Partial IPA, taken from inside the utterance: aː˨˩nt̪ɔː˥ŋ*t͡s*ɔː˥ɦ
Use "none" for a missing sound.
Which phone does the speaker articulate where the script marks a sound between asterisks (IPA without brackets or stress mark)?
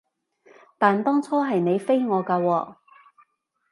t͡sʰ